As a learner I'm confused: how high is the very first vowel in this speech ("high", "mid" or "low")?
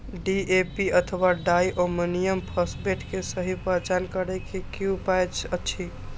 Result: high